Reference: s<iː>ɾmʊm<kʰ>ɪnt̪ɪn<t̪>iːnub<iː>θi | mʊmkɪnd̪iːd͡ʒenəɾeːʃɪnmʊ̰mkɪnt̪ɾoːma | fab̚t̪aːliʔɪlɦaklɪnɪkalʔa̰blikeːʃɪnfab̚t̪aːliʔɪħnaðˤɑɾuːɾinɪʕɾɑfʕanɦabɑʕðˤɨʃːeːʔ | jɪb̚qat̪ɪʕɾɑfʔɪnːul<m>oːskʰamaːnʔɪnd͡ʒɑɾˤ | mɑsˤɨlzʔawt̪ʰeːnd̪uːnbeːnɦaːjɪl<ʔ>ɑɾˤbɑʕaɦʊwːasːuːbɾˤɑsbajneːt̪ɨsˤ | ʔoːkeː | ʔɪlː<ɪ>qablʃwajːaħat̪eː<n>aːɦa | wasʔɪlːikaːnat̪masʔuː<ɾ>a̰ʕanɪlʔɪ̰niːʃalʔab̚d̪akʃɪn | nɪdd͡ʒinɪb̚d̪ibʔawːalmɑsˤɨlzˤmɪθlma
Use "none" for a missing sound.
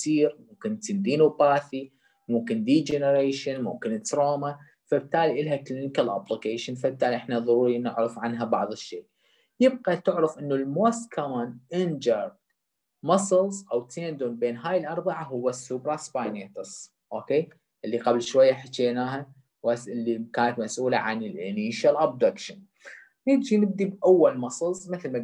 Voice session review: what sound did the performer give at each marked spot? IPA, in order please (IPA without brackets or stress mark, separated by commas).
iː, k, d̪, aː, m, ʔ, i, n, l